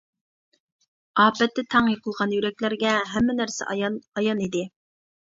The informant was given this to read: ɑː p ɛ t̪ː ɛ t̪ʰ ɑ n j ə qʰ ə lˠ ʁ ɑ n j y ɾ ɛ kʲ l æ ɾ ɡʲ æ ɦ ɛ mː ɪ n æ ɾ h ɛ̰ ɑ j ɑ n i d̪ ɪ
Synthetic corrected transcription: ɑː p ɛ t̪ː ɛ t̪ʰ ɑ ŋ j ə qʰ ə lˠ ʁ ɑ n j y ɾ ɛ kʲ l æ ɾ ɡʲ ɛ ɦ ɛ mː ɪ n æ ɾ s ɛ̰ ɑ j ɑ n i d̪ ɪ